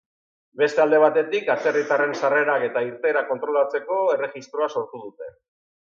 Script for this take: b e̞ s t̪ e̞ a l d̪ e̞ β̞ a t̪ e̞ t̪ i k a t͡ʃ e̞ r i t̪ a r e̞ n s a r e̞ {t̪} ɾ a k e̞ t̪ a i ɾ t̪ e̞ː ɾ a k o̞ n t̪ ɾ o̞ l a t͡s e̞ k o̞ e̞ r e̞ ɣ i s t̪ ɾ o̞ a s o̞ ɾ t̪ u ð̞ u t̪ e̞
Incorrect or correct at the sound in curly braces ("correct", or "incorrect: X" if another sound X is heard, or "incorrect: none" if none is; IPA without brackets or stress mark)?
incorrect: none